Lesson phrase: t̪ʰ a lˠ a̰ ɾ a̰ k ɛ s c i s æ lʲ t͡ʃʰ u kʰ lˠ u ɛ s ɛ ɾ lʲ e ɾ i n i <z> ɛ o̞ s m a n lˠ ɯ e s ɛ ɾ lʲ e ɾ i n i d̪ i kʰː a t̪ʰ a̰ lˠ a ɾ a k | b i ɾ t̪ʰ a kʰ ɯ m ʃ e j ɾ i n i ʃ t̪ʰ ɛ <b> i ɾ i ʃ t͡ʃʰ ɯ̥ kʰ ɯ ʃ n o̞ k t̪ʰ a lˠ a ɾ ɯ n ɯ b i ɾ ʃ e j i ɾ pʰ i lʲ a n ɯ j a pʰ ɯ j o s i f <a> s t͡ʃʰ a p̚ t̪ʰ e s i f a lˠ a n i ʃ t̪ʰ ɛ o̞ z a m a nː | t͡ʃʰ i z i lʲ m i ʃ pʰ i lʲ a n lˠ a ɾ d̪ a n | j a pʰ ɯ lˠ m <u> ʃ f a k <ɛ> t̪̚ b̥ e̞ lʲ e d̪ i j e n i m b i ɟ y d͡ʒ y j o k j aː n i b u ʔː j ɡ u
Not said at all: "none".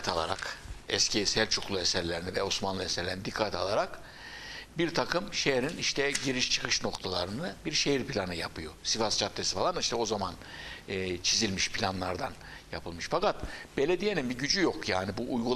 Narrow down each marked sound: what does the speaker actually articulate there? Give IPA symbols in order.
v, ɟ, a, ɯ, a

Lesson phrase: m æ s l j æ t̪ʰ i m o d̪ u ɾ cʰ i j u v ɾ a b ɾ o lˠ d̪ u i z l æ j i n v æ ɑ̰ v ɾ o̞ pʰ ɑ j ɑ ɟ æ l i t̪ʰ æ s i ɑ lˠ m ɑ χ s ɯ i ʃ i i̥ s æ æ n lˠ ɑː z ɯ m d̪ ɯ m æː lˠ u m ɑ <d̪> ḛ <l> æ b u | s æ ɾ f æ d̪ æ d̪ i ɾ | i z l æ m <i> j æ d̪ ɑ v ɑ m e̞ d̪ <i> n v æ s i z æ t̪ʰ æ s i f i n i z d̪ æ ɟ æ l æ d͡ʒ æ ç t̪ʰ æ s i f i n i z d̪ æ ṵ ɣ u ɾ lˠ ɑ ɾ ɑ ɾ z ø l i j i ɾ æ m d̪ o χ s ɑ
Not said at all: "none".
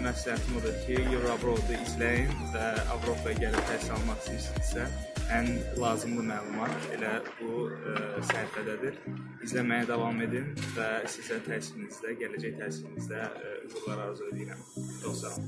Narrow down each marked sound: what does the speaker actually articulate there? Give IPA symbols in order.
t̪, l, æ, i

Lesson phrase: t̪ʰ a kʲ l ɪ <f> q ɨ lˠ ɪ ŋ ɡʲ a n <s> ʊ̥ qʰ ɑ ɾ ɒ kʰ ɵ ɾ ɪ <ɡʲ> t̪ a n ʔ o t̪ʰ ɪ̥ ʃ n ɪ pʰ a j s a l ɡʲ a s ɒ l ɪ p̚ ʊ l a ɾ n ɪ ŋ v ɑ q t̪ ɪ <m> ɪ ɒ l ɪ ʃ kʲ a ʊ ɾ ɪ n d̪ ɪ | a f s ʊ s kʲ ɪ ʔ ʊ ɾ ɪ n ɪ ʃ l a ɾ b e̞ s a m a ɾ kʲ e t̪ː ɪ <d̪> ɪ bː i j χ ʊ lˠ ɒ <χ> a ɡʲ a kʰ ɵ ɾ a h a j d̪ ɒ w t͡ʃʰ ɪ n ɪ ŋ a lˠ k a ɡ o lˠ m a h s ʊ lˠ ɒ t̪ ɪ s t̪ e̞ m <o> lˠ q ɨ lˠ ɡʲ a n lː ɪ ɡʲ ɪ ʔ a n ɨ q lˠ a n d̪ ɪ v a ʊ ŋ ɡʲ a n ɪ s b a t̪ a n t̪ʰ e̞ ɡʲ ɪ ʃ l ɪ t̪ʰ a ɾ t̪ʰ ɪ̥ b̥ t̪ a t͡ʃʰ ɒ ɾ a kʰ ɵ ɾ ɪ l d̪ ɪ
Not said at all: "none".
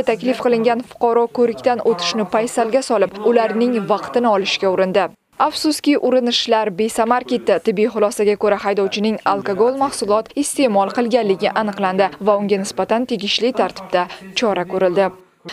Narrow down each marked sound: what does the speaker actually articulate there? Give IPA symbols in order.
f, f, kʲ, n, t̪, s, ɒ

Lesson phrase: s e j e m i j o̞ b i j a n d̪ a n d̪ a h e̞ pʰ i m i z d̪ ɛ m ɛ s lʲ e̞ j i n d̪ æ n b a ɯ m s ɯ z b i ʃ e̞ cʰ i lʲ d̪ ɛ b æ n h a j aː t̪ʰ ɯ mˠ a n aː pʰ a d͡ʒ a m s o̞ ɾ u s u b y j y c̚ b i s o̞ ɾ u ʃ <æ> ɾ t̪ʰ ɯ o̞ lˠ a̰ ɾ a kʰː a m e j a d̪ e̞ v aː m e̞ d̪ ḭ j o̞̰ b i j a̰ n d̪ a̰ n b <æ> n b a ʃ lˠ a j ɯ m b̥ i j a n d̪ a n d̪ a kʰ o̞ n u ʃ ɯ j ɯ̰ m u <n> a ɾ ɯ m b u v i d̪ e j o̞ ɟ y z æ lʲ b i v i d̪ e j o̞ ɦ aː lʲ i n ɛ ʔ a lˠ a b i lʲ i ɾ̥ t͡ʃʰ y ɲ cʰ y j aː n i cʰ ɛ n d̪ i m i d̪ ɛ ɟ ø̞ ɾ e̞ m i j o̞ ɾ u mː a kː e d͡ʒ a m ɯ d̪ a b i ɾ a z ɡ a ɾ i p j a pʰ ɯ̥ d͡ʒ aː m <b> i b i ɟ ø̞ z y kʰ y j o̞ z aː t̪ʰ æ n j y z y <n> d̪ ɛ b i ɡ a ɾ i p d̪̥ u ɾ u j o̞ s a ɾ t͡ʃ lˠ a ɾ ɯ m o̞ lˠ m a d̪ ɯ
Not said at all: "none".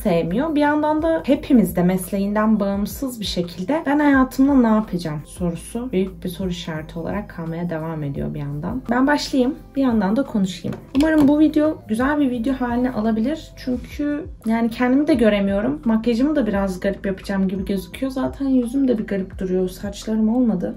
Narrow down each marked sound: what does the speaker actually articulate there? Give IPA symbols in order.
a, æ, m, ɟ, m

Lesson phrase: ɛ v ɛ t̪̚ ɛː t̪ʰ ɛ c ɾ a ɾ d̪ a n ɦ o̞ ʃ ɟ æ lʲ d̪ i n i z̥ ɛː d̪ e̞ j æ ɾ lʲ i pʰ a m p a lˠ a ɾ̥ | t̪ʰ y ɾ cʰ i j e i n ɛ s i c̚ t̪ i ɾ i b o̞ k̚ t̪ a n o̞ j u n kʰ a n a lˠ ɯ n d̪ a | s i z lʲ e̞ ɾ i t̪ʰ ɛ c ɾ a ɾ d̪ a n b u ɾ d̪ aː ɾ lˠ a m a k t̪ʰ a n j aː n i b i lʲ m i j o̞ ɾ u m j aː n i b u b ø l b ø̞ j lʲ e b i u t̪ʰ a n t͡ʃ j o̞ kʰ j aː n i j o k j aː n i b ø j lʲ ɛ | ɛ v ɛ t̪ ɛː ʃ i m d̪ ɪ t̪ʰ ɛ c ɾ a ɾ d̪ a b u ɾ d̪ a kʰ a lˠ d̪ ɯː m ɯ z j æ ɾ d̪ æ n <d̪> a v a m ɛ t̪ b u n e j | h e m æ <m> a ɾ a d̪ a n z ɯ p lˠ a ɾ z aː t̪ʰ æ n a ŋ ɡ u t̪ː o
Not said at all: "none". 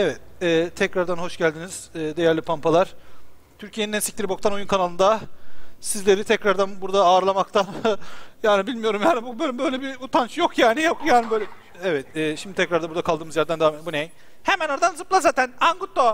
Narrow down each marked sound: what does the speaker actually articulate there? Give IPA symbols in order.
d̪, n

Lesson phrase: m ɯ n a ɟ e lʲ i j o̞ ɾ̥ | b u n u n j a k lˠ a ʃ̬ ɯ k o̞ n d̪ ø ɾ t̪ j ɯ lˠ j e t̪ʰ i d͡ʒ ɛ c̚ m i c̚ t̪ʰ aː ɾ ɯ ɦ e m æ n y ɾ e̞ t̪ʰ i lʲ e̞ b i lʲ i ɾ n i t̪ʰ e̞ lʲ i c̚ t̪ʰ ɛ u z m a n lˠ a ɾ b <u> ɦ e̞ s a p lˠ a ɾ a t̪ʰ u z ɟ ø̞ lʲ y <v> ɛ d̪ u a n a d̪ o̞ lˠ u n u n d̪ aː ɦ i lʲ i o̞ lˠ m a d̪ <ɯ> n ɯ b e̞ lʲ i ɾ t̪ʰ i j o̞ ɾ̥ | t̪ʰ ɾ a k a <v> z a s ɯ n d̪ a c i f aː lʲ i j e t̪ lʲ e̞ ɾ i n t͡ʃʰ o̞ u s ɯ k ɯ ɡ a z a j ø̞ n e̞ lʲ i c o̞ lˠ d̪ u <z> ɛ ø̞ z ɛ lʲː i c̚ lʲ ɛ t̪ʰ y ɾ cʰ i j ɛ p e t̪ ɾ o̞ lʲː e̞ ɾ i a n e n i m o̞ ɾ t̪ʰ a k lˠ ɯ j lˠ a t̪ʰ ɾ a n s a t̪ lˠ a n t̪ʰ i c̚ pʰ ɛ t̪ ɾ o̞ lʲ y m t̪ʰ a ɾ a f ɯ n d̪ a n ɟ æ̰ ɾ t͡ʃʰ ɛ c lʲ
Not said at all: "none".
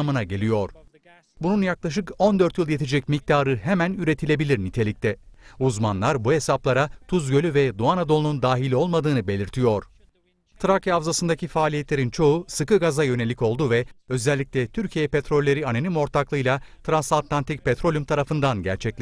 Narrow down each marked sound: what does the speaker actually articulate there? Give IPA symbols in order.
u, v, ɯː, v, v

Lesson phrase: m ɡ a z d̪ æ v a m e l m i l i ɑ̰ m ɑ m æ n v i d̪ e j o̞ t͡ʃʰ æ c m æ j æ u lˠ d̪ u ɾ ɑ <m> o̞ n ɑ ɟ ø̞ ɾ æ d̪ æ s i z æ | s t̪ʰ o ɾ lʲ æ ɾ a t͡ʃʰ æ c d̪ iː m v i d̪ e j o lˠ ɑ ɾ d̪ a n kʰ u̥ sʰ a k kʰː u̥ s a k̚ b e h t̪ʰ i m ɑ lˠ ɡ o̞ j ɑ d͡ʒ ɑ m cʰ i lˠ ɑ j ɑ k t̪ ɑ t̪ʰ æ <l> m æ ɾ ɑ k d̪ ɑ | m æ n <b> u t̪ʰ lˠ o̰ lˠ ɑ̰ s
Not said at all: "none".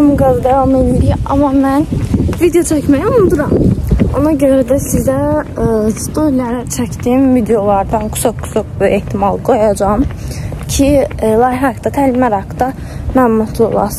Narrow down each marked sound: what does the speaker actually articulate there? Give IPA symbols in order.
m, l, m

